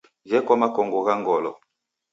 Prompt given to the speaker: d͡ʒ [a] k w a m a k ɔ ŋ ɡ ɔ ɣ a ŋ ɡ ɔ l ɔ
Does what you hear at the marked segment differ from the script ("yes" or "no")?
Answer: yes